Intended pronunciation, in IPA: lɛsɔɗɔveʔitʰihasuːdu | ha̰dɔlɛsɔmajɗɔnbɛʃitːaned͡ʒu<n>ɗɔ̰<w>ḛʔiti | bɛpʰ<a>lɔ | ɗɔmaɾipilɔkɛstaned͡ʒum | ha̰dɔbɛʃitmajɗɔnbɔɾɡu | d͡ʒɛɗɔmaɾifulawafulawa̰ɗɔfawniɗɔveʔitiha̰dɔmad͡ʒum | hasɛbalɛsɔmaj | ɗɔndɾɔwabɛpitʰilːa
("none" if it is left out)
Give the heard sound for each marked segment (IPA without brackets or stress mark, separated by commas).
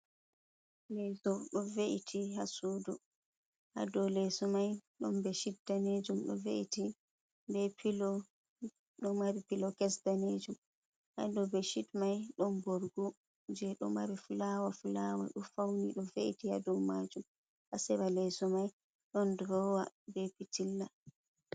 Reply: m, v, i